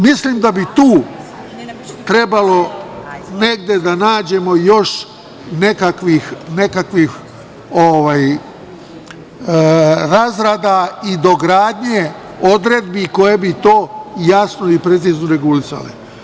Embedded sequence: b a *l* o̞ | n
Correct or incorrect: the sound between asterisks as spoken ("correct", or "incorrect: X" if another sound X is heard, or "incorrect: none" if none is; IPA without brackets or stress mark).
correct